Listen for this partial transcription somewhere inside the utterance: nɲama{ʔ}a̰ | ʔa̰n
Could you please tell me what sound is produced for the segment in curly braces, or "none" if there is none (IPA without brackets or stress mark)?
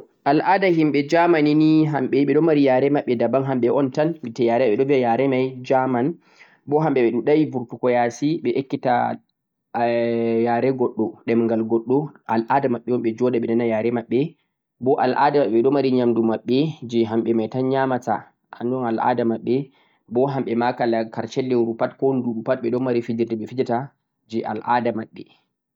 t